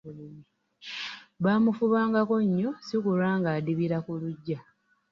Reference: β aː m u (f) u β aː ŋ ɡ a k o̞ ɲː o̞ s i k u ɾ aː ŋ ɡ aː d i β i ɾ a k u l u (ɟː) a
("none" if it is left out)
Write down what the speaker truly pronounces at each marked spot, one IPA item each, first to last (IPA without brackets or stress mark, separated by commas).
f, ɟː